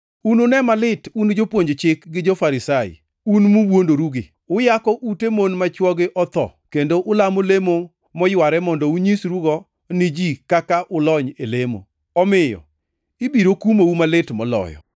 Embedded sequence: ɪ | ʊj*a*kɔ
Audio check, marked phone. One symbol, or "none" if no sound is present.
a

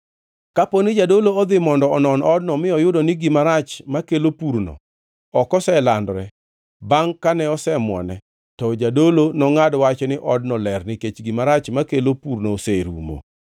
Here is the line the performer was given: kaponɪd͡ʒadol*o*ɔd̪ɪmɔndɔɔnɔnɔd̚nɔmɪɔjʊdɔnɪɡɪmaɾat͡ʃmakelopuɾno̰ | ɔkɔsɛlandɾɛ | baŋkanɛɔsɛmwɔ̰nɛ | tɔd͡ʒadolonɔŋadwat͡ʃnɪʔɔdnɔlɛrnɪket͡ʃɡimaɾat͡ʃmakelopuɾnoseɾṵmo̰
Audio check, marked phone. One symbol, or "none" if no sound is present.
o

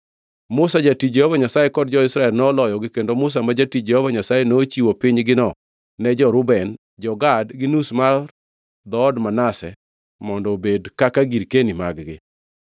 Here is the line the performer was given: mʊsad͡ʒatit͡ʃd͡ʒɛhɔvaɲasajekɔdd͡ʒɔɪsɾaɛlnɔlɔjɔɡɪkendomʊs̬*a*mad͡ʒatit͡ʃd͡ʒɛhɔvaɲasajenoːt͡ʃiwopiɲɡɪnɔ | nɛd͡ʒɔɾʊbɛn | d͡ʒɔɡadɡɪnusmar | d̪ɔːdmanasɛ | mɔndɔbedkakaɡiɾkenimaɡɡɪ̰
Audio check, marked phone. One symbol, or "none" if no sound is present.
a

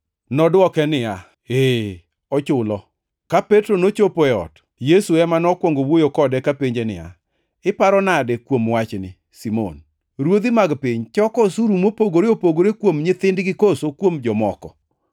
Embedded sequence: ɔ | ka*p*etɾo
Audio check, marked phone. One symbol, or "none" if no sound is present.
p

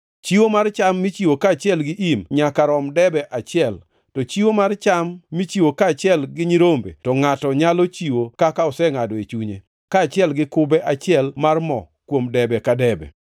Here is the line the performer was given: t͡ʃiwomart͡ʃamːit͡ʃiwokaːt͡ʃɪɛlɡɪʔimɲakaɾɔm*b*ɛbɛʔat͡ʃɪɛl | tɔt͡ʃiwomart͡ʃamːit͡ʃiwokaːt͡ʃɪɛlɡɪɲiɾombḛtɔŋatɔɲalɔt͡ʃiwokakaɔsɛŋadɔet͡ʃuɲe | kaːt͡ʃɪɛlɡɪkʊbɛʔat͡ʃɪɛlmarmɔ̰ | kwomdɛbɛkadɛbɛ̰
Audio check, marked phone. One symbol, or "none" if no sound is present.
d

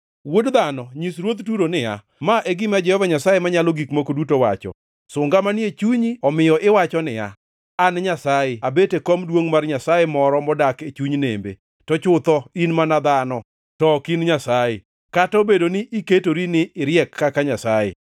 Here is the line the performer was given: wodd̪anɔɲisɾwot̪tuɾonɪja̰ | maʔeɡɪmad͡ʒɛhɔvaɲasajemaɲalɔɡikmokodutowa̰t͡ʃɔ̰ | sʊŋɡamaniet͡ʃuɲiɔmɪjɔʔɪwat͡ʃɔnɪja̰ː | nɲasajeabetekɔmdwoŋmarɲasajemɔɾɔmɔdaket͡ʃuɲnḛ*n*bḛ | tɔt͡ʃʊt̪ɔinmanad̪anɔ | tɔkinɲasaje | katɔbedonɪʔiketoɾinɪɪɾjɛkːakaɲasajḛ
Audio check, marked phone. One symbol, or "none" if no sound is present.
m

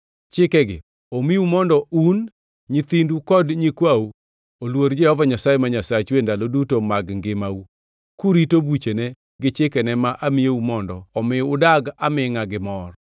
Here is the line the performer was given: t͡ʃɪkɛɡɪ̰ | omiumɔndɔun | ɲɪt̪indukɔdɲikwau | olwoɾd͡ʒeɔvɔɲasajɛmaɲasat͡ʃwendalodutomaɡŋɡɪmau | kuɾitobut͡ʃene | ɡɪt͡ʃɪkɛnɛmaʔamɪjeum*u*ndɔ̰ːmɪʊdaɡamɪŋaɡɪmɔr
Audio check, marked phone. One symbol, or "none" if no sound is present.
ɔ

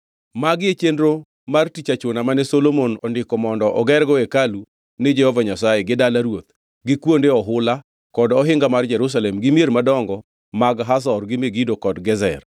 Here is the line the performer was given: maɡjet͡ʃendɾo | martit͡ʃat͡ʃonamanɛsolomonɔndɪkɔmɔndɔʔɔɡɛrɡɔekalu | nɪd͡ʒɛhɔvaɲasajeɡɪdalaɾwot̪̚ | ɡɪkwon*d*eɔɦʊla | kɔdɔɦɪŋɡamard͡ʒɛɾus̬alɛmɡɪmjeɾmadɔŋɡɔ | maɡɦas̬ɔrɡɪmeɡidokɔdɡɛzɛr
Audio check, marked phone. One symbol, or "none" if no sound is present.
d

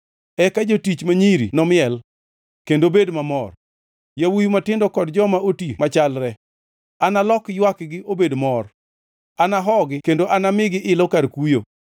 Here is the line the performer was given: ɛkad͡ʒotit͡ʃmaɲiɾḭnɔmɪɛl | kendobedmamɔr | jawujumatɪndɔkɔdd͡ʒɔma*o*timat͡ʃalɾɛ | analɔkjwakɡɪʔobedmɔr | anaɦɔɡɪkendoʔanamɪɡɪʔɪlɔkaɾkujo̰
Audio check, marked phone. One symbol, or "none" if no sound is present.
o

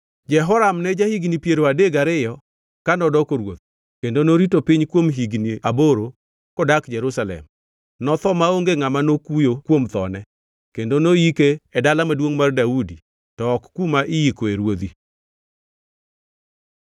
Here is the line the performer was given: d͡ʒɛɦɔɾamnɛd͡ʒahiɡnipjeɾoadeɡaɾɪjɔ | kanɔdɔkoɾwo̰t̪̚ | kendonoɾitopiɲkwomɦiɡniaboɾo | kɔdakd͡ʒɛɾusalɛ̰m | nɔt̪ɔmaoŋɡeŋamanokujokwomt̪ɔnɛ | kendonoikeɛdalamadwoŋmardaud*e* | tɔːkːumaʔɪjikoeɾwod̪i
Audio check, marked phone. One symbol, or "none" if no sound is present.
i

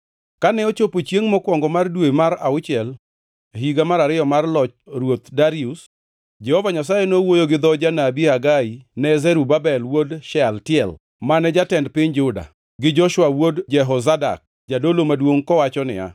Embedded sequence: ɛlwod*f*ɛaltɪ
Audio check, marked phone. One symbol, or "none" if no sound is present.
ʃ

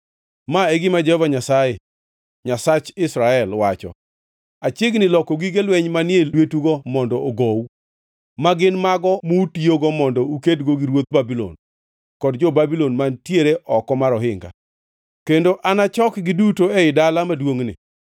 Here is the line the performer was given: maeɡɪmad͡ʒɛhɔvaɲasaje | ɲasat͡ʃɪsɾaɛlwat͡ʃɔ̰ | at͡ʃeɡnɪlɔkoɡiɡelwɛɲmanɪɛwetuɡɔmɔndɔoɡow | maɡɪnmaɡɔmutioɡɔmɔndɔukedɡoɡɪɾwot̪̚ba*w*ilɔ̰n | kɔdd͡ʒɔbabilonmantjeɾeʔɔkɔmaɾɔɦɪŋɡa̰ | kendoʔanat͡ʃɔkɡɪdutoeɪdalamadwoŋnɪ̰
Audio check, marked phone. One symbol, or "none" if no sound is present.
b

